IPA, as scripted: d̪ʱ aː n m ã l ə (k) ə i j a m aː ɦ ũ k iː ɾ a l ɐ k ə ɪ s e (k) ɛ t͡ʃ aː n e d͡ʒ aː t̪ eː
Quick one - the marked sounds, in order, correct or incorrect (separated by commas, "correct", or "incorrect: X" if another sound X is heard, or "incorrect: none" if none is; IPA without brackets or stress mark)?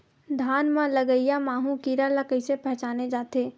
incorrect: ɡ, incorrect: p